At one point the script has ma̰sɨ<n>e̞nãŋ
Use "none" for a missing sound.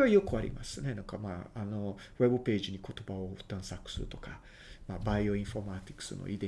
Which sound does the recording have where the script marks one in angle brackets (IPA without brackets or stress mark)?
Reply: n